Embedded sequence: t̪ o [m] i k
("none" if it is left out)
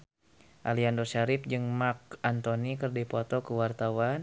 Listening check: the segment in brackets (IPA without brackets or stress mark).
n